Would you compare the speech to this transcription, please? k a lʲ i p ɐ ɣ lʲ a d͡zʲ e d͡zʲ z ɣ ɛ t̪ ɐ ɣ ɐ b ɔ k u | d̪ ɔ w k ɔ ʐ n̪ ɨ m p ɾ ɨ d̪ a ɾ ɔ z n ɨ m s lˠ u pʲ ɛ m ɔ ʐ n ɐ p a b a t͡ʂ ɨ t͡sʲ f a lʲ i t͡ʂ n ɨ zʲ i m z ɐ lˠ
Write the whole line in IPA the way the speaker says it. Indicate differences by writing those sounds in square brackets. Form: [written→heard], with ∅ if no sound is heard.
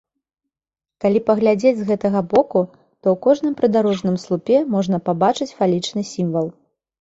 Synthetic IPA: k a lʲ i p ɐ ɣ lʲ a d͡zʲ e d͡zʲ z ɣ ɛ t̪ ɐ ɣ ɐ b ɔ k u | [d̪→t̪] ɔ w k ɔ ʐ n̪ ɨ m p ɾ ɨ d̪ a ɾ ɔ [z→ʐ] n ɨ m s lˠ u pʲ ɛ m ɔ ʐ n ɐ p a b a t͡ʂ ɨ t͡sʲ f a lʲ i t͡ʂ n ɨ [zʲ→sʲ] i m [z→v] ɐ lˠ